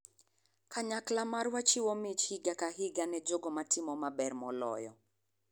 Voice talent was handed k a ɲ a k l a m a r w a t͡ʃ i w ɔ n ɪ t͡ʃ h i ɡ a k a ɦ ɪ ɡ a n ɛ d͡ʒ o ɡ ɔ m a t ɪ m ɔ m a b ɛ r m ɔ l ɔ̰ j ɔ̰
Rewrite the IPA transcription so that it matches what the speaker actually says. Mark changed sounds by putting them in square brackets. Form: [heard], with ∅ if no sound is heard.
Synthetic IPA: k a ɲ a k l a m a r w a t͡ʃ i w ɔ [m] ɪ t͡ʃ h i ɡ a k a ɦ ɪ ɡ a n ɛ d͡ʒ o ɡ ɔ m a t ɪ m ɔ m a b ɛ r m ɔ l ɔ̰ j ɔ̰